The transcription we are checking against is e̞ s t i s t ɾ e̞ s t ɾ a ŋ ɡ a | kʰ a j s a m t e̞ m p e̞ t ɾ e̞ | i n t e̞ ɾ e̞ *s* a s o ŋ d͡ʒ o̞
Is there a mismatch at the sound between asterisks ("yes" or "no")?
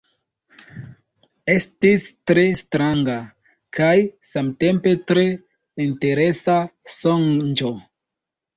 no